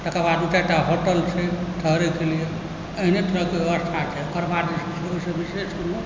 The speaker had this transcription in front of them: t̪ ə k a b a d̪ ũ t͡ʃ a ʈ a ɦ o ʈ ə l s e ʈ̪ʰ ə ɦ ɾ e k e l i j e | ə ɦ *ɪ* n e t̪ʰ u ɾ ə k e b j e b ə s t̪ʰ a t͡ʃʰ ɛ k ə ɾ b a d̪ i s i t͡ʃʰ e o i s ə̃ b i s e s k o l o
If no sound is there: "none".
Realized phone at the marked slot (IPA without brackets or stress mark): i